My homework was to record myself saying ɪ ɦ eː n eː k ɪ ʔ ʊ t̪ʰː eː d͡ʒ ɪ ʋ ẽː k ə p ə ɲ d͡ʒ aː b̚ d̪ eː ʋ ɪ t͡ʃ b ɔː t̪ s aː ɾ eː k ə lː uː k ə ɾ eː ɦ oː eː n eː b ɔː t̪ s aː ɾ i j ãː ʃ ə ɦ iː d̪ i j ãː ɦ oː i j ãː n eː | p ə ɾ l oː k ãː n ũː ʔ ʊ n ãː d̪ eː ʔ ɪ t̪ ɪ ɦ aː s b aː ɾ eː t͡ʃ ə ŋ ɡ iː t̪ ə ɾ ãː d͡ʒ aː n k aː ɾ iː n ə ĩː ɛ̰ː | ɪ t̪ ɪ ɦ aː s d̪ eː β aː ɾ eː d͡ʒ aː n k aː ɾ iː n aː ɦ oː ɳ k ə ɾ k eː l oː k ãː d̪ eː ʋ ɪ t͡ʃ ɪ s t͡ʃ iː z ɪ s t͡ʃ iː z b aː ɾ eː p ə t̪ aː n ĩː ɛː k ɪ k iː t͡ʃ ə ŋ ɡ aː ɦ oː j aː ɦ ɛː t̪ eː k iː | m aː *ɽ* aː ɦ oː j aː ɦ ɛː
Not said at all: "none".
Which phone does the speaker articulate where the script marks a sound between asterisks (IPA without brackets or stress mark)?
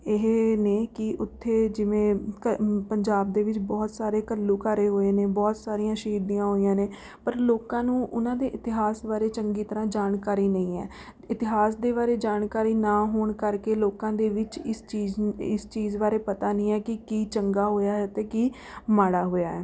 ɽ